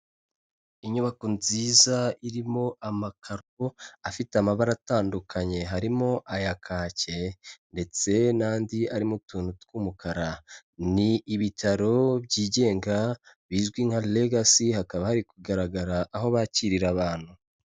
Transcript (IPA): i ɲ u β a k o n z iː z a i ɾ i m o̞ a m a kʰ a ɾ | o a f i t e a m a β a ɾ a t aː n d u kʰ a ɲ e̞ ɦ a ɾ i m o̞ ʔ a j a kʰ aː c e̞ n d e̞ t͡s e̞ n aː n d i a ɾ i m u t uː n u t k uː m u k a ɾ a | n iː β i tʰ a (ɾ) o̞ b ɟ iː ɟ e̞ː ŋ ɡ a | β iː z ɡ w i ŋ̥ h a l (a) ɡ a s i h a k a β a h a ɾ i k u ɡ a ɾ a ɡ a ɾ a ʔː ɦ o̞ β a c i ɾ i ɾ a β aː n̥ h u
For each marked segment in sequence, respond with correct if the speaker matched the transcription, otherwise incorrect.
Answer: correct, incorrect: e

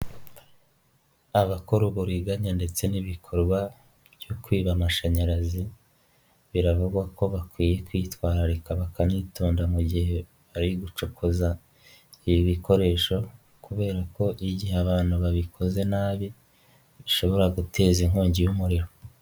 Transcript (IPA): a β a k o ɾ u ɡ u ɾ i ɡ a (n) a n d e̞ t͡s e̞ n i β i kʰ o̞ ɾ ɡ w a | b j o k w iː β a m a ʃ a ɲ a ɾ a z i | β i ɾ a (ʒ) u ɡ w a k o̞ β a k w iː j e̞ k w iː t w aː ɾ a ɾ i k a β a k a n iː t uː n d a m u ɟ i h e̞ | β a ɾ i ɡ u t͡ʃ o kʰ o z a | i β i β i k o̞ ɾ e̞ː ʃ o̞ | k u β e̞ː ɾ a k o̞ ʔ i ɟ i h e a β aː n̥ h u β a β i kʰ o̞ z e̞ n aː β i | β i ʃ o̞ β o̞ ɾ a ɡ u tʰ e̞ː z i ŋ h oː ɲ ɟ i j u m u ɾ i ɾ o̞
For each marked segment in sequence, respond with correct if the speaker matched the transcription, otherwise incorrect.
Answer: incorrect: ɲ, incorrect: v

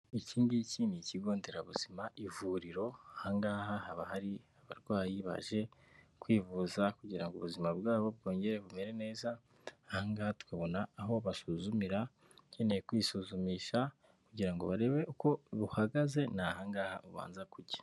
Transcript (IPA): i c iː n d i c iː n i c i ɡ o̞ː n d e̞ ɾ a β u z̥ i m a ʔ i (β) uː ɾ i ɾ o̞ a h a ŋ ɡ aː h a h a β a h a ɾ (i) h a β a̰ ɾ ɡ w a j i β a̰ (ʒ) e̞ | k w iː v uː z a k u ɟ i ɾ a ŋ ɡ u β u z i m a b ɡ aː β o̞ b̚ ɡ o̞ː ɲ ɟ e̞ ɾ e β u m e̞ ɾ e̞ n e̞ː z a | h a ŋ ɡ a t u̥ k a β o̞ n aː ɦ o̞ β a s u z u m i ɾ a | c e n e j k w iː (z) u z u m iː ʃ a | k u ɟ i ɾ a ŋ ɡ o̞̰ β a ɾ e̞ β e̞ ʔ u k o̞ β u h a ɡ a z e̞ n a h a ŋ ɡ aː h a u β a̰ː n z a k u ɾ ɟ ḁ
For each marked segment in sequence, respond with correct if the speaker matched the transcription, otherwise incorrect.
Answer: incorrect: v, correct, correct, incorrect: s

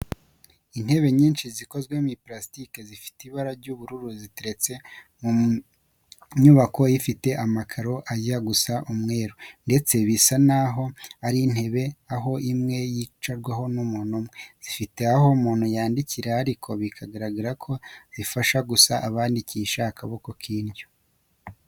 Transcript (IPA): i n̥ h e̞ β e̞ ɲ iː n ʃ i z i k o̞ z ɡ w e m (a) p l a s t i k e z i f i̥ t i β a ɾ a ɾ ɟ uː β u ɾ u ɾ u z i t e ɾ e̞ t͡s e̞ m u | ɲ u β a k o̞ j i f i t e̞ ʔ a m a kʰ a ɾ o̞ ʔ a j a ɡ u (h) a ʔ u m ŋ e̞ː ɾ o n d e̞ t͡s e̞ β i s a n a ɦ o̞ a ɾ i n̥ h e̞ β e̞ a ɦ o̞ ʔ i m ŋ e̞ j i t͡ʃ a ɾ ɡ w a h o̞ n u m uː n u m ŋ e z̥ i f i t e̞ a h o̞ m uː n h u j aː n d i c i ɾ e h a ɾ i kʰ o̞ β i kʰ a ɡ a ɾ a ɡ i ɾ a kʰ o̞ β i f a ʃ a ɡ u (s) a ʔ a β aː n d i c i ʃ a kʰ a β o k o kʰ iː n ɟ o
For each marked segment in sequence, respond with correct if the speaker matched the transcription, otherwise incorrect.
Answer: incorrect: i, incorrect: s, correct

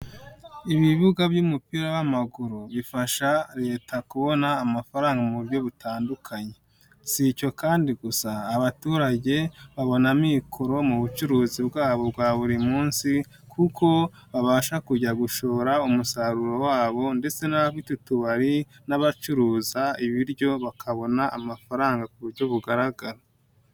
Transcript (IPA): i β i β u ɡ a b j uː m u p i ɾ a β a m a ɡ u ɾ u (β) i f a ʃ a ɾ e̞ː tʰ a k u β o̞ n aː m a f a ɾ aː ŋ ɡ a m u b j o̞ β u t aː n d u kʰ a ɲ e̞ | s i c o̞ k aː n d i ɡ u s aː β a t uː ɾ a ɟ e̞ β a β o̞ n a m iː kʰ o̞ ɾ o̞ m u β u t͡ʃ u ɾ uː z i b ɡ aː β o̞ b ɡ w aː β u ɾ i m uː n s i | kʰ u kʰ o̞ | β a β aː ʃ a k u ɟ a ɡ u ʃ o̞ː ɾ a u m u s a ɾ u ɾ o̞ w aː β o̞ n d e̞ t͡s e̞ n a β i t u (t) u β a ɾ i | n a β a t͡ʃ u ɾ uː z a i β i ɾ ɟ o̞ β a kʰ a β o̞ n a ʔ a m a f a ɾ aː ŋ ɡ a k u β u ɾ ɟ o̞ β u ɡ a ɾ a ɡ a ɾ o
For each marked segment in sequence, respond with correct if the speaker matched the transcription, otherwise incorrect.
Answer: correct, correct

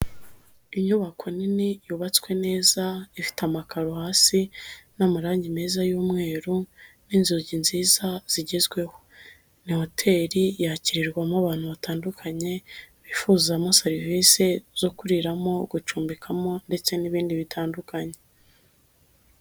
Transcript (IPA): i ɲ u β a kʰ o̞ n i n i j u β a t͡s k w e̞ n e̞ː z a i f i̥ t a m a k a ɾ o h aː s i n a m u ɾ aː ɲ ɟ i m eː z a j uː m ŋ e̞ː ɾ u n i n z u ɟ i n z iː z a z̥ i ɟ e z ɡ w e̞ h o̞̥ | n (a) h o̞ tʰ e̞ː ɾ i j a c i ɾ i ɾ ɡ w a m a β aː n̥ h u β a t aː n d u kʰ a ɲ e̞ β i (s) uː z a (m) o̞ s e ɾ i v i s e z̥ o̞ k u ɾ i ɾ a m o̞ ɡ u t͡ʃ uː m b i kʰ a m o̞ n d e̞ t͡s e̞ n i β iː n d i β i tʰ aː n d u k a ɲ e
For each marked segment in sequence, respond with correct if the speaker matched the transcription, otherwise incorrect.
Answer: incorrect: i, incorrect: f, correct

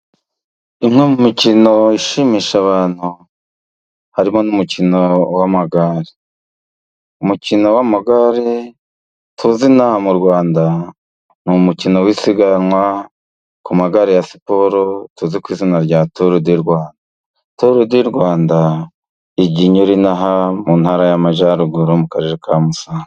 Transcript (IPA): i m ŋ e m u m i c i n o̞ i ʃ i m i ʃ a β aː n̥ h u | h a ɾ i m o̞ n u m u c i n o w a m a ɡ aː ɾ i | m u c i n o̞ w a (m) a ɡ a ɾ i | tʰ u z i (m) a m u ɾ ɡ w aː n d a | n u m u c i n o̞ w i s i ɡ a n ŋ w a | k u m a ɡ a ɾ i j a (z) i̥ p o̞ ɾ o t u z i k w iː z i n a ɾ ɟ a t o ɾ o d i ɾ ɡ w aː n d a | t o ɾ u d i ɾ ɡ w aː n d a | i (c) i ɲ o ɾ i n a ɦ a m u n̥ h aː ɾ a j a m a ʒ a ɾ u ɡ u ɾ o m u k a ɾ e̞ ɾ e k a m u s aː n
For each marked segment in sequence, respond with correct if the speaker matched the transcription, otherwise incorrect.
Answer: correct, incorrect: n, incorrect: s, incorrect: ɟ

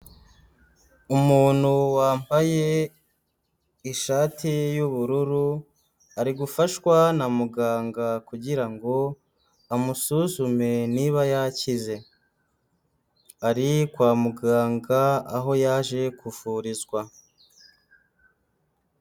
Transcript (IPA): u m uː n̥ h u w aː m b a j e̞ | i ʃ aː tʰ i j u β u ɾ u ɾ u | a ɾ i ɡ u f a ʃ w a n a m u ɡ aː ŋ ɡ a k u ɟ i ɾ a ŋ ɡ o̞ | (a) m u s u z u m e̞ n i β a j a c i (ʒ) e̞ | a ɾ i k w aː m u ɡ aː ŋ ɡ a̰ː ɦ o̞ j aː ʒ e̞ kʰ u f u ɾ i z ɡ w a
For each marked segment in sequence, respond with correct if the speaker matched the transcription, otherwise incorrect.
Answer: correct, incorrect: z

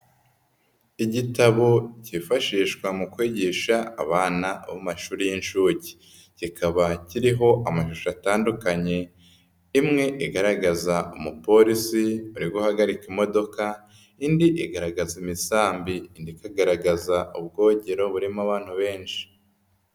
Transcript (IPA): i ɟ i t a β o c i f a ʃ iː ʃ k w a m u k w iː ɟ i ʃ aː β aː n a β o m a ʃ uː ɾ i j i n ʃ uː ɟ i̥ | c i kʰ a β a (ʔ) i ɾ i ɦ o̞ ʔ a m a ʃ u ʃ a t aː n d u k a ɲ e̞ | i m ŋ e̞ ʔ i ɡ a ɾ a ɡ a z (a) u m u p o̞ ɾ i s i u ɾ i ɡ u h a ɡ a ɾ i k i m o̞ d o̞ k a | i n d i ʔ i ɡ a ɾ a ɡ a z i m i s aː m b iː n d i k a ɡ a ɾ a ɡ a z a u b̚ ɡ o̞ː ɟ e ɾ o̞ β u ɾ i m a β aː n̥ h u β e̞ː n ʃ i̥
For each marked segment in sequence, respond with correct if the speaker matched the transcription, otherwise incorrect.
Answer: incorrect: c, correct

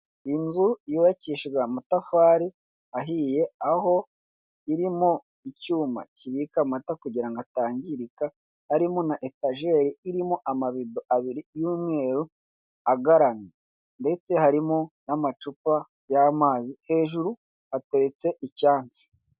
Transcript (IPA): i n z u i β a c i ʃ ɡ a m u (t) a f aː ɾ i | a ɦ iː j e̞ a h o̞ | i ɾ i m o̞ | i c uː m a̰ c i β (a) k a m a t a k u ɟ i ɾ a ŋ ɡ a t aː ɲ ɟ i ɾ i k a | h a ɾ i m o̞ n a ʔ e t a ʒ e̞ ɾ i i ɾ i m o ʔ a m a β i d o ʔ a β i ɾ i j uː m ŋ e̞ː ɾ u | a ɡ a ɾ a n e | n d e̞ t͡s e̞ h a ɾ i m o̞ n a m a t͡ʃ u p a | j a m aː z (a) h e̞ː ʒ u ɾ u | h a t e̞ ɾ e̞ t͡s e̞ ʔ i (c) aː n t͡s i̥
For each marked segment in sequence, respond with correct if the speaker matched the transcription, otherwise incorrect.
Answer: correct, incorrect: i, incorrect: i, correct

